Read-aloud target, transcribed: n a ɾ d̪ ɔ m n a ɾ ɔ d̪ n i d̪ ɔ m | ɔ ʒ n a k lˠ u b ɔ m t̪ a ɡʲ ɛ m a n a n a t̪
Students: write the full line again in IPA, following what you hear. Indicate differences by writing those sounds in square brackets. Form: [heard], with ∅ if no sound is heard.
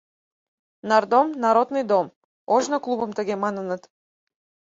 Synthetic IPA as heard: n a ɾ d̪ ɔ m n a ɾ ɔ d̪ n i d̪ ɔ m | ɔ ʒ n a k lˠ u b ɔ m t̪ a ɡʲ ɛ m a n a n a t̪